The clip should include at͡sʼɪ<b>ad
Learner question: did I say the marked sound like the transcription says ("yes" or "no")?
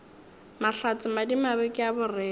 no